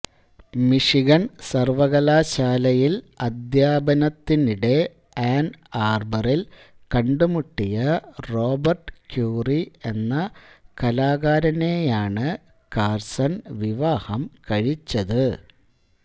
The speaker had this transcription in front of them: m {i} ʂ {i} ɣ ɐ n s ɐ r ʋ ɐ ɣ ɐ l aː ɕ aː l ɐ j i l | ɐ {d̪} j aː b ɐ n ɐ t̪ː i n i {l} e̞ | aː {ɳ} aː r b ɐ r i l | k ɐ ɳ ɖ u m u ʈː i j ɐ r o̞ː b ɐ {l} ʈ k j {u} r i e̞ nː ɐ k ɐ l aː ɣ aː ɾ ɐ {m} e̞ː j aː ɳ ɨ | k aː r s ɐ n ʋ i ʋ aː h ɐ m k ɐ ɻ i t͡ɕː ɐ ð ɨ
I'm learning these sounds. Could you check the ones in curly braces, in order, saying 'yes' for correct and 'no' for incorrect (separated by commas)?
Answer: yes, yes, yes, no, no, no, no, no